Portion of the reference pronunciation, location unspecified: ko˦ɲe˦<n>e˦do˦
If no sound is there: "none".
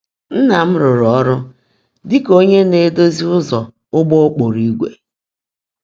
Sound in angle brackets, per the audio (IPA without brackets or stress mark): n